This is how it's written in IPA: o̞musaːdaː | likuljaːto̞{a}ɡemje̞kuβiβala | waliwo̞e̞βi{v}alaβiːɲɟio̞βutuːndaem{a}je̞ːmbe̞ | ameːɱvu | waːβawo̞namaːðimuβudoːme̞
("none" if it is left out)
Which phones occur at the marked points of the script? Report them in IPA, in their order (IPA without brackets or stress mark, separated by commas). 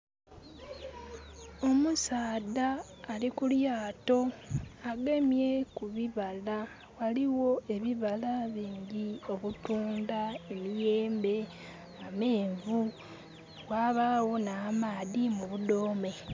a, β, i